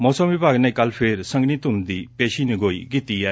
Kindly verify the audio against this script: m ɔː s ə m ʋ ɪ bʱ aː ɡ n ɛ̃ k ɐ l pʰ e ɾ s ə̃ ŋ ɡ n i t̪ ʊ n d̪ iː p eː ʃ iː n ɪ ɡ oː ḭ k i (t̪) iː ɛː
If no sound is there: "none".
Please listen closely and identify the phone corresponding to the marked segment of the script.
t̪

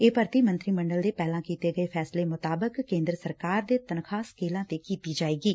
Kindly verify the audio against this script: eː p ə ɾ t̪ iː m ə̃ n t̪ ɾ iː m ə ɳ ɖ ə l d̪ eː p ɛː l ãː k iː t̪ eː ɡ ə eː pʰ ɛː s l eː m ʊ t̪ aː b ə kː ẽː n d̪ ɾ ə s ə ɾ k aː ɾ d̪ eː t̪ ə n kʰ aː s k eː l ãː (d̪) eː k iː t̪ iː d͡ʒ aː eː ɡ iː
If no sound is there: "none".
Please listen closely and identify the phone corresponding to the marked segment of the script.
t̪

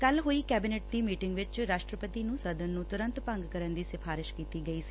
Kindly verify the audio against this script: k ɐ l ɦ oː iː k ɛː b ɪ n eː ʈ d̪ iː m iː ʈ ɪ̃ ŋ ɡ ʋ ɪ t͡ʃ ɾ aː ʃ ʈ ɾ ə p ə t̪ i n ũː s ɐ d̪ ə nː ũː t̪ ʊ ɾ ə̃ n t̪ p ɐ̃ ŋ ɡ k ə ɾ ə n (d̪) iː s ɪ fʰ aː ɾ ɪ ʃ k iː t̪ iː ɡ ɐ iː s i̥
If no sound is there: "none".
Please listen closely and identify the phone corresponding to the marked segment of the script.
d̪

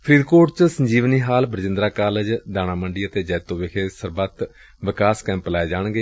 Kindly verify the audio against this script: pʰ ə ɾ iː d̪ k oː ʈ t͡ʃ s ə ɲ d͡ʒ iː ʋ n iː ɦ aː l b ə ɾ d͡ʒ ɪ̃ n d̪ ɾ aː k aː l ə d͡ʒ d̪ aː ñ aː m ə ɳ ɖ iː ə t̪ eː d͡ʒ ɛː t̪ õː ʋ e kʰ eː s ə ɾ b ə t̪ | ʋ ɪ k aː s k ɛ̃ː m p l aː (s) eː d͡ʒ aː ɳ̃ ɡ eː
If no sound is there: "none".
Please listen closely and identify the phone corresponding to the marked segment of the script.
none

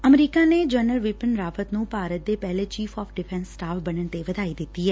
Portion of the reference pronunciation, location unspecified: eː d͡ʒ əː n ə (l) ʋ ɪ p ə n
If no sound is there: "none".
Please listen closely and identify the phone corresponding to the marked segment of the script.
l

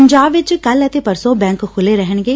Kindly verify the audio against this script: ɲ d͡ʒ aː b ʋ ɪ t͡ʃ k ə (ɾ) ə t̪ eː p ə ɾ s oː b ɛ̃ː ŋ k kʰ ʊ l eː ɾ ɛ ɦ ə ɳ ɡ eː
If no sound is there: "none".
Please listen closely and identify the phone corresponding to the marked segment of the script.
l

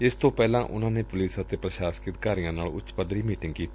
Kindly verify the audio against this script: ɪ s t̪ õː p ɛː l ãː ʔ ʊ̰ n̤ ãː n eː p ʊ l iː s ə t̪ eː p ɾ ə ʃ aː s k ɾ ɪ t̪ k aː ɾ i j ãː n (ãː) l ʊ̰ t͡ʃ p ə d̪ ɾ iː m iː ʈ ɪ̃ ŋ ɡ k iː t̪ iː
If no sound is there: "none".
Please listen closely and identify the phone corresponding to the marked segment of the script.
aː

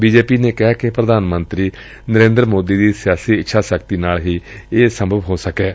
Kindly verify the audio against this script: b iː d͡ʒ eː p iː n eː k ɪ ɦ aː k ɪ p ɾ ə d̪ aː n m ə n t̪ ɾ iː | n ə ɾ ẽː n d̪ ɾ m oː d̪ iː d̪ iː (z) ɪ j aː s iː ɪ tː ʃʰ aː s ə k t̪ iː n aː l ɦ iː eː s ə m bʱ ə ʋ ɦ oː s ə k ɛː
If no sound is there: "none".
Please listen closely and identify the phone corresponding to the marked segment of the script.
s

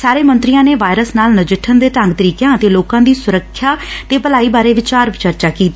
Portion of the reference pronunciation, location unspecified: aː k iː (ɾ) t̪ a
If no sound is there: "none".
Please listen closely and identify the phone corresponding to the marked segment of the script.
none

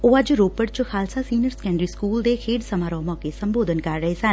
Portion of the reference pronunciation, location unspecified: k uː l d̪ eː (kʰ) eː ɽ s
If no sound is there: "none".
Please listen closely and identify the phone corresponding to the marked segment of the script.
kʰ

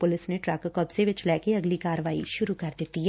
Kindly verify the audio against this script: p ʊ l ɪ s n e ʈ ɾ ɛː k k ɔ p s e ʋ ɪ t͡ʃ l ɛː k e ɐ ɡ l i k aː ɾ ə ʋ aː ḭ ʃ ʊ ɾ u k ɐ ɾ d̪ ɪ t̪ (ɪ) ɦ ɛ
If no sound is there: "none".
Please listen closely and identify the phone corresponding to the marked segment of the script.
i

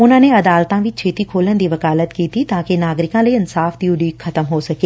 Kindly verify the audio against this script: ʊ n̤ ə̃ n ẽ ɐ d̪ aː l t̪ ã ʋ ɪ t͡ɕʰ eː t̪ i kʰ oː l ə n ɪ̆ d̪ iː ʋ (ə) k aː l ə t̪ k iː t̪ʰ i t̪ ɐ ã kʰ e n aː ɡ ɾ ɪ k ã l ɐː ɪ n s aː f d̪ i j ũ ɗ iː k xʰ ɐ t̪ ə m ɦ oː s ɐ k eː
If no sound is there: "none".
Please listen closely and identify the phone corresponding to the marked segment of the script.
ɐ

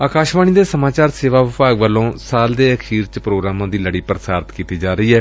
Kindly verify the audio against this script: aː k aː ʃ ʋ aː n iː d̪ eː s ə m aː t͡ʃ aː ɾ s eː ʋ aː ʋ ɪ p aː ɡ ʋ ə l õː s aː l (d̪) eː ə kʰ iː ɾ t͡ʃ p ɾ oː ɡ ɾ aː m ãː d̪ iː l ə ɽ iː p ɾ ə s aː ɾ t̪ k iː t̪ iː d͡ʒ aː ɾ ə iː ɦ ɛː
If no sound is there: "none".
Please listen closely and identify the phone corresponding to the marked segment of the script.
d̪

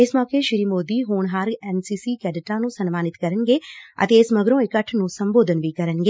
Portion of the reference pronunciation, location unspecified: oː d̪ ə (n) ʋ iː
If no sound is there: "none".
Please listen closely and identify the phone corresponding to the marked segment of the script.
n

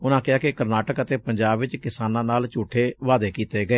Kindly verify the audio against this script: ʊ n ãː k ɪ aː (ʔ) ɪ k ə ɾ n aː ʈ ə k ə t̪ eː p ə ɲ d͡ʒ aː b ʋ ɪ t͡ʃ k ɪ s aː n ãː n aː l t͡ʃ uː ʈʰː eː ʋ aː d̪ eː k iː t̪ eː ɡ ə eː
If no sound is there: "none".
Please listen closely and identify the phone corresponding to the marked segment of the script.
k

